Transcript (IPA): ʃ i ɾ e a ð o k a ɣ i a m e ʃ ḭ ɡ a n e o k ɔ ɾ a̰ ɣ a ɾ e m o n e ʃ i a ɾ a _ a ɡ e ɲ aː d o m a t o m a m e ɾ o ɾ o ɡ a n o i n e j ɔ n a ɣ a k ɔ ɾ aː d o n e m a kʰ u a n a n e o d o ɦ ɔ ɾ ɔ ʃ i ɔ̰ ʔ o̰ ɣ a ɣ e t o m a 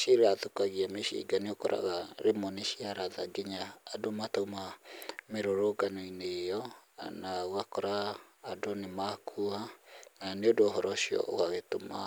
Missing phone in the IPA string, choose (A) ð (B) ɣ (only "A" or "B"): A